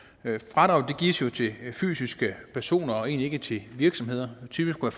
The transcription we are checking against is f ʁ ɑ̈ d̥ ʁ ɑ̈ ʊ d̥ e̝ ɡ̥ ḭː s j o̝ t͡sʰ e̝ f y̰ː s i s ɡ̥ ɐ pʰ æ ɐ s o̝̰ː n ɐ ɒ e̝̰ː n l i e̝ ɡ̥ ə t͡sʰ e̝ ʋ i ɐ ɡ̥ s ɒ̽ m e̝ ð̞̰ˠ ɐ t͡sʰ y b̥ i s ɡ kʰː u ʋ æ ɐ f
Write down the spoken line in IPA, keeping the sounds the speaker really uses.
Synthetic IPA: f ʁ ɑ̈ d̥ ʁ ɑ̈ ʊ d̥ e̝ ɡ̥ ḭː s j o̝ t͡sʰ e̝ f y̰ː s i s ɡ̥ ə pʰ æ ɐ s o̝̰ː n ɐ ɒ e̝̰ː n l i e̝ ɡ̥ ə t͡sʰ e̝ ʋ i ɐ ɡ̥ s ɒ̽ m e̝ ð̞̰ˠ ɐ t͡sʰ y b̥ i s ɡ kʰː u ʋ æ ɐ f